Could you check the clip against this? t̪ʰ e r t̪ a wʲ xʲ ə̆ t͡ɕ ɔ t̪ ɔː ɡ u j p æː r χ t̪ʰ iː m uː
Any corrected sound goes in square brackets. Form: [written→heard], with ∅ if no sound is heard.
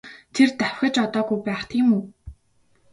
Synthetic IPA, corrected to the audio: t̪ʰ e r t̪ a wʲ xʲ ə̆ t͡ɕ ɔ t̪ ɔː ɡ u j p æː [r→∅] χ t̪ʰ iː m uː